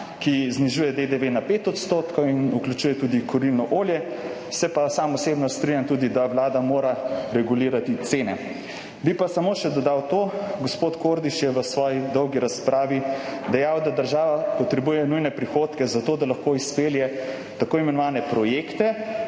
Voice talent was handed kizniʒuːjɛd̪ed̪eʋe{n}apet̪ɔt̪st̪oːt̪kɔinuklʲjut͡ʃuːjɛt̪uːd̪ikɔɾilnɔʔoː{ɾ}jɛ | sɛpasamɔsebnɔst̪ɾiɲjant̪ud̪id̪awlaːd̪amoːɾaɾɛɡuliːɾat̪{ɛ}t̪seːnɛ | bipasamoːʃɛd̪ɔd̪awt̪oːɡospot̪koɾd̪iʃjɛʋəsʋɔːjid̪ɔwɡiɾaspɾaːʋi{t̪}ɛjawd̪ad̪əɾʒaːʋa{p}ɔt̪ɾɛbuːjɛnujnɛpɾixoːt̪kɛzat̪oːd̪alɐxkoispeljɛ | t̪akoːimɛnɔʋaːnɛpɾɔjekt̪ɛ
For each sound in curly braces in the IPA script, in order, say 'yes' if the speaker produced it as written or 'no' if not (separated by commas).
yes, no, no, no, yes